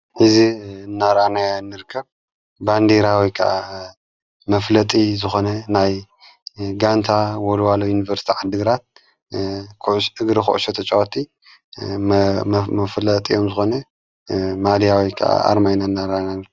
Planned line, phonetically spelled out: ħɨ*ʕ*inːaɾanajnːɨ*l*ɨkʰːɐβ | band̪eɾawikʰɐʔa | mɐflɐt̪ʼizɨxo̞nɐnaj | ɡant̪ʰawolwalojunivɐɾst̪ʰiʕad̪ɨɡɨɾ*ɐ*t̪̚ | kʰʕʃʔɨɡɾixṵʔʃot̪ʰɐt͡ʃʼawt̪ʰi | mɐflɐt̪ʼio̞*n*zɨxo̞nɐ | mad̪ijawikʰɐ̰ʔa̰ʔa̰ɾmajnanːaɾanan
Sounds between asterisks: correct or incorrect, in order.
incorrect: z, incorrect: ɾ, incorrect: a, incorrect: m

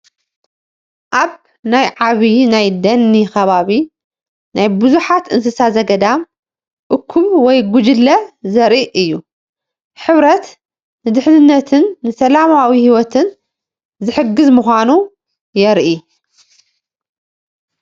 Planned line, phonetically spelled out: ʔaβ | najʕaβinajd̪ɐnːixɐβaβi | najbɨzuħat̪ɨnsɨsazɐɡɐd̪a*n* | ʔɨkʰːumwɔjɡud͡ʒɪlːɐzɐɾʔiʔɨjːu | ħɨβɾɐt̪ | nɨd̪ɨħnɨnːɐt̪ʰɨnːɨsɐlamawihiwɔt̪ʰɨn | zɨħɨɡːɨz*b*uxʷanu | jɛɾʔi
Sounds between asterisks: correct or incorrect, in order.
incorrect: m, incorrect: m

